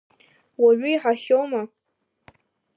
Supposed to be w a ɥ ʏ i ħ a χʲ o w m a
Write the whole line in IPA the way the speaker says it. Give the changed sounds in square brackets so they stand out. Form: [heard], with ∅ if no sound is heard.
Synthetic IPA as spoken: w a ɥ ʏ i ħ a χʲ o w m a